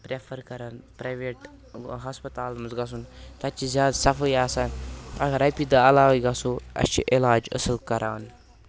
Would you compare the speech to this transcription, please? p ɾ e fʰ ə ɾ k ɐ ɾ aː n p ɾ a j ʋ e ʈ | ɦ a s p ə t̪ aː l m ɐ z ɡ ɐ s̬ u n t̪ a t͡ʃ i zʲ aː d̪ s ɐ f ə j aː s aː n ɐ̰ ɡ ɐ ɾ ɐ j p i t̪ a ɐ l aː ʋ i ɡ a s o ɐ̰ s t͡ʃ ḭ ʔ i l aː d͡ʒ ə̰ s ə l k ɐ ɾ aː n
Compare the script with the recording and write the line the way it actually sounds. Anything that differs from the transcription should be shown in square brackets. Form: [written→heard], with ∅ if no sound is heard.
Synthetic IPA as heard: p ɾ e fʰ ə ɾ k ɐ ɾ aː n p ɾ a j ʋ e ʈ | ɦ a s p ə t̪ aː l m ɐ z ɡ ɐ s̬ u n t̪ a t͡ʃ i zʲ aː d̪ s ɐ f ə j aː s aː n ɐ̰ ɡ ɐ ɾ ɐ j p i [t̪→d̪] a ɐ l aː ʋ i ɡ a s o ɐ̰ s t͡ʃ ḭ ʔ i l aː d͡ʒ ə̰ s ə l k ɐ ɾ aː n